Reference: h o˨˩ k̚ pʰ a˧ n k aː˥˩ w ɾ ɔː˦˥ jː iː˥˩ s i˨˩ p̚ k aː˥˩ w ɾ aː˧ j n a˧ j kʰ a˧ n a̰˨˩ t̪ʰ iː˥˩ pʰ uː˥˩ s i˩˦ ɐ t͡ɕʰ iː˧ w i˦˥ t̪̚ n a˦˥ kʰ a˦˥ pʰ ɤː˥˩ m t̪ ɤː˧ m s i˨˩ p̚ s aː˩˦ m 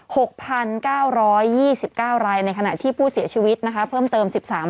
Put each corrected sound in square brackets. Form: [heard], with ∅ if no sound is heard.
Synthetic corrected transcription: h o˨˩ k̚ pʰ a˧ n k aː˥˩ w ɾ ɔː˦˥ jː iː˥˩ s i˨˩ p̚ k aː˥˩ w ɾ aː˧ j n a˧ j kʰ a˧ n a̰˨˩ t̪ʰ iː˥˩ pʰ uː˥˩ s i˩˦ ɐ t͡ɕʰ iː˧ w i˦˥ t̪̚ n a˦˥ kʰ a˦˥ pʰ ɤː˥˩ m t̪ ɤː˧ m s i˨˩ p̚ s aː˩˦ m